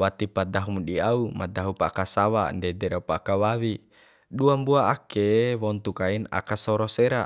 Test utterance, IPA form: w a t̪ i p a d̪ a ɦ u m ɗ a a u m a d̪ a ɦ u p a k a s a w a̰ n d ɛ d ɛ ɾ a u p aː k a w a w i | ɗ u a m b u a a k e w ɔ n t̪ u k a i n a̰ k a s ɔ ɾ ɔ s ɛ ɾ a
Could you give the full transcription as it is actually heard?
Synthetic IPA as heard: w a t̪ i p a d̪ a ɦ u m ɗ i a u m a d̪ a ɦ u p a k a s a w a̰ n d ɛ d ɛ ɾ a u p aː k a w a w i | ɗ u a m b u a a k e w ɔ n t̪ u k a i n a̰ k a s ɔ ɾ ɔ s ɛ ɾ a

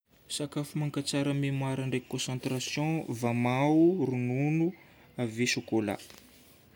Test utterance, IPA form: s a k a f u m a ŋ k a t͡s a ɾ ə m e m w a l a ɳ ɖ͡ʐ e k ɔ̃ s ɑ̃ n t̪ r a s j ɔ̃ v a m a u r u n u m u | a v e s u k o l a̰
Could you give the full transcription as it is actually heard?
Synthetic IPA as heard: s a k a f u m a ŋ k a t͡s a ɾ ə m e m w a ɾ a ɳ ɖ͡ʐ e k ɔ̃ s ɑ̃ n t̪ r a s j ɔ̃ v a m a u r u n u n u | a v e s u k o l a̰

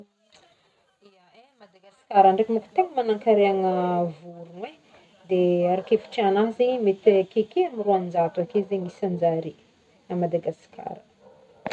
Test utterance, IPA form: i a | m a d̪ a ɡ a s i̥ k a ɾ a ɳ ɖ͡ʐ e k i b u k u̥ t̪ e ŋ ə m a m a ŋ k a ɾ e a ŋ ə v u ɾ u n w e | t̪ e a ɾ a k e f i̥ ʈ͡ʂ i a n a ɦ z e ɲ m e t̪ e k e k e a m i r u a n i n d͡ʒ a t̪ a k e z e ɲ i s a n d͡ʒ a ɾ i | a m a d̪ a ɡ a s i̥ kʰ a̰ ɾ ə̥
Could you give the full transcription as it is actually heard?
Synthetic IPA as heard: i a | m a d̪ a ɡ a s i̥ k a ɾ a ɳ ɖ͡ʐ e k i m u k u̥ t̪ e ŋ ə m a n a ŋ k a ɾ e a ŋ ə v u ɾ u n w e | d̪ e a ɾ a k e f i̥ ʈ͡ʂ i a n a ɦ z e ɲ m e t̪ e k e k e a m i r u a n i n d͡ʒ a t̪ a k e z e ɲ i s a n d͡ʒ a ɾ i | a m a d̪ a ɡ a s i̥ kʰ a̰ ɾ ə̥

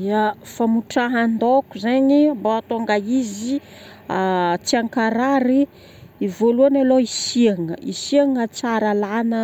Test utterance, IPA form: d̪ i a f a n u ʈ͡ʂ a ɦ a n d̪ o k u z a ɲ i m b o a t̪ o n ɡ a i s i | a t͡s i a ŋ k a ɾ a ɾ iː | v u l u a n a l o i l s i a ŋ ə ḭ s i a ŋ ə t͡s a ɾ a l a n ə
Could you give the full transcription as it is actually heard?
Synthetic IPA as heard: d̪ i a f a m u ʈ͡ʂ a ɦ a n d̪ o k u z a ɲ i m b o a t̪ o ŋ ɡ a i z i | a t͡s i a ŋ k a ɾ a ɾ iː | v o l u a n a l o i s i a ŋ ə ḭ s i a ŋ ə t͡s a ɾ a l a n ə

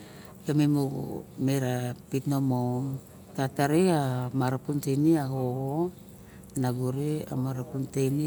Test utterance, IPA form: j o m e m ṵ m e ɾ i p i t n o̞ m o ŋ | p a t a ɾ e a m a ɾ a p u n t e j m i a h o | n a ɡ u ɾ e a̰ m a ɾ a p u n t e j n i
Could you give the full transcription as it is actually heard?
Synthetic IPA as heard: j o m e m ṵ m e ɾ a p i t n o̞ m o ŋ | t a t a ɾ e a m a ɾ a p u n t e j n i a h o | n a ɡ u ɾ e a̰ m a ɾ a p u n t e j n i

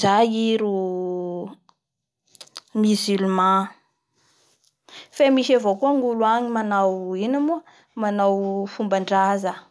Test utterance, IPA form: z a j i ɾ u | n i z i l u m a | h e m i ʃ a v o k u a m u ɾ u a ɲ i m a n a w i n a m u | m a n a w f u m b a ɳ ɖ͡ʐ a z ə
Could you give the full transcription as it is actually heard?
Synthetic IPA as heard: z a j i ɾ u | m i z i l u m a | f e m i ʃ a v o k u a ŋ u l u a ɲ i m a n a w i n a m u | m a n a w f u m b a ɳ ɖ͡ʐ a z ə

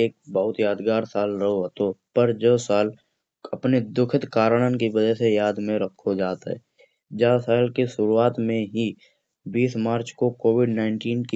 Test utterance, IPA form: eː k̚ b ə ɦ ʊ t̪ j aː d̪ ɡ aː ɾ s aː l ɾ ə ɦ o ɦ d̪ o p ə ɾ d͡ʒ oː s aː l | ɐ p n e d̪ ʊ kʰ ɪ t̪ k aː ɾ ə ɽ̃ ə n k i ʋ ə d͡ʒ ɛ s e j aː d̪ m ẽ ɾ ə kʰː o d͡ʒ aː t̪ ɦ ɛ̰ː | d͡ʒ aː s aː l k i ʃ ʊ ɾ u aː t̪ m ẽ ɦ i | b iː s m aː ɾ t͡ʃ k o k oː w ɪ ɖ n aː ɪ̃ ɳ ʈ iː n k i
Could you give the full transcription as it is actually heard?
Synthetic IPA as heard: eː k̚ b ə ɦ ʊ t̪ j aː d̪ ɡ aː ɾ s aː l ɾ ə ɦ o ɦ t̪ o p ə ɾ d͡ʒ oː s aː l | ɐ p n e d̪ ʊ kʰ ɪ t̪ k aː ɾ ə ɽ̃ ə n k i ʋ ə d͡ʒ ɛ s e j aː d̪ m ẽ ɾ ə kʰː o d͡ʒ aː t̪ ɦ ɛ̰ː | d͡ʒ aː s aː l k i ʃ ʊ ɾ u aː t̪ m ẽ ɦ i | b iː s m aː ɾ t͡ʃ k o k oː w ɪ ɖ n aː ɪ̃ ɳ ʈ iː n k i

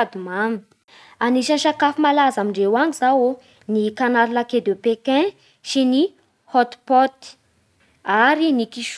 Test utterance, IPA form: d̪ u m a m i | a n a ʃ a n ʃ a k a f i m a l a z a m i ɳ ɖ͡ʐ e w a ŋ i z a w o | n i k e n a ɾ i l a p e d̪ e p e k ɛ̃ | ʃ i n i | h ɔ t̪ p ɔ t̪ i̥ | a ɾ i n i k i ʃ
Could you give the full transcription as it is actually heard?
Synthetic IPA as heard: d̪ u m a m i | a n i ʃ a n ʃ a k a f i m a l a z a m i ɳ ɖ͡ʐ e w a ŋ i z a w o | n i k a n a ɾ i l a k e d̪ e p e k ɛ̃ | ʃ i n i | h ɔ t̪ p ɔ t̪ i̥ | a ɾ i n i k i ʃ

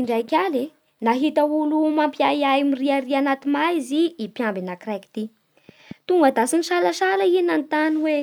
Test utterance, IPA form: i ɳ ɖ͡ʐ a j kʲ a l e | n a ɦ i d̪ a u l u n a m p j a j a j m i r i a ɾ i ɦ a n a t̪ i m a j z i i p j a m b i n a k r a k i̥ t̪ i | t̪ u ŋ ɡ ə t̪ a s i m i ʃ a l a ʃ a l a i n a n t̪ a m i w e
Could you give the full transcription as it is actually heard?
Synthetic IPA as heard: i ɳ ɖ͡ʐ a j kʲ a l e | n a ɦ i t̪ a u l u m a m p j a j a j m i r i a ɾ i a n a t̪ i m a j z i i p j a m b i n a k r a k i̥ t̪ i | t̪ u ŋ ɡ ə d̪ a s i n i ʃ a l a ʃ a l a i n a n t̪ a n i w e

